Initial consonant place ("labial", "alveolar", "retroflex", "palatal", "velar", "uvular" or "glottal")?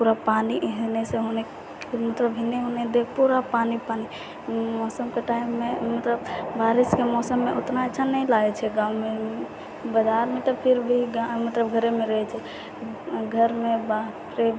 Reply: labial